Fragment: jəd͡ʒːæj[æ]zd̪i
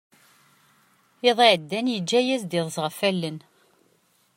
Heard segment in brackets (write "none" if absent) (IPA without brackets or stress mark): æ